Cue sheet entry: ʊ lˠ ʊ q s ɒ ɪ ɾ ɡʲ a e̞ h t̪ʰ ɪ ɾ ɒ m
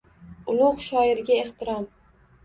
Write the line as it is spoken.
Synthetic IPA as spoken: ʊ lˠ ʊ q ʃ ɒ ɪ ɾ ɡʲ a e̞ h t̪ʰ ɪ ɾ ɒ m

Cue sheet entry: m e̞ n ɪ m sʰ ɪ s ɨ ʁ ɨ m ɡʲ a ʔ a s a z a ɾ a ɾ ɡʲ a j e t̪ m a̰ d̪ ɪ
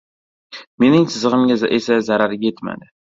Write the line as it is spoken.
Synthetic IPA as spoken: m e̞ n ɪ ŋ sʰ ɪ z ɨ ʁ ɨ m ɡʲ a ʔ e s a z a ɾ a ɾ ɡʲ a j e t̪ m a̰ d̪ ɪ

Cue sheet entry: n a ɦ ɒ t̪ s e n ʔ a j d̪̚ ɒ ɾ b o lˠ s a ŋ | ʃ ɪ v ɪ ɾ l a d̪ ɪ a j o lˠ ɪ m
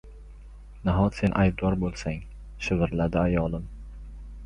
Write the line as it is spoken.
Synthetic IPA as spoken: n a ɦ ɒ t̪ s e n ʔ a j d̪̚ ɒ ɾ b o lˠ s a ŋ | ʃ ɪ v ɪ ɾ l a d̪ ɪ a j ɒ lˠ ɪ m

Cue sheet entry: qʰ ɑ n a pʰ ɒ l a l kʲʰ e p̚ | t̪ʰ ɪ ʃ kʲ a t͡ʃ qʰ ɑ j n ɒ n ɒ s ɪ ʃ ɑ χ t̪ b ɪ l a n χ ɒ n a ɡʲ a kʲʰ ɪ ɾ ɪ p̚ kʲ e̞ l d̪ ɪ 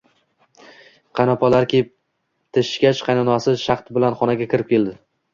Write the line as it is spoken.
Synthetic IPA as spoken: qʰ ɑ n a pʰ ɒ l a ɾ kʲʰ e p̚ | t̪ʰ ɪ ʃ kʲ a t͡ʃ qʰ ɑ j n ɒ n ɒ s ɪ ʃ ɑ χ t̪ b ɪ l a n χ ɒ n a ɡʲ a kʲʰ ɪ ɾ ɪ p̚ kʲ e̞ l d̪ ɪ

